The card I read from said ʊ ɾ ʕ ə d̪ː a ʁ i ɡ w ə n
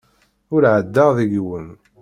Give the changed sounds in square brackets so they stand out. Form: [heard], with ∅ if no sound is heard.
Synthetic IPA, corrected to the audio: ʊ ɾ ʕ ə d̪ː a [ð] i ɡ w ə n